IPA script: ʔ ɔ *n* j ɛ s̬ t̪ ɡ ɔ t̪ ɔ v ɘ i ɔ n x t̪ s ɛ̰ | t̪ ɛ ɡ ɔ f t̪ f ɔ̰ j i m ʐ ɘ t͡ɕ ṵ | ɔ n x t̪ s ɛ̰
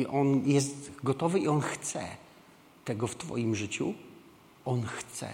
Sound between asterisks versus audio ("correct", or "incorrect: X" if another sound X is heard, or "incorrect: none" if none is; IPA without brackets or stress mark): correct